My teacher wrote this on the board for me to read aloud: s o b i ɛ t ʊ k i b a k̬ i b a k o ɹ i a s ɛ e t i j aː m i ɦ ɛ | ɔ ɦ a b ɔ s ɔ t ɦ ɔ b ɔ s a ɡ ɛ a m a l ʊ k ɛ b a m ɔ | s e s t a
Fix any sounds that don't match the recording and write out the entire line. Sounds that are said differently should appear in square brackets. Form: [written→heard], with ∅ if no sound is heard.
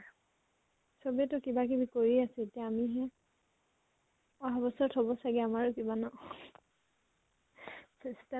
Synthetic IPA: s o b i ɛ t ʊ k i b a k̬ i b [a→i] k o ɹ i a s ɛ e t i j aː m i ɦ ɛ | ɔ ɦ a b ɔ s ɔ t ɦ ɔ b ɔ s a ɡ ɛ a m a [l→ɹ] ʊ k [ɛ→i] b a [m→n] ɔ | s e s t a